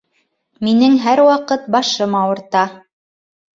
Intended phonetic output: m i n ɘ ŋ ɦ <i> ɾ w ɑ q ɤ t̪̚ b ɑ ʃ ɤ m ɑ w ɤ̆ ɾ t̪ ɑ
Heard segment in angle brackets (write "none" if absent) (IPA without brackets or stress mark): æ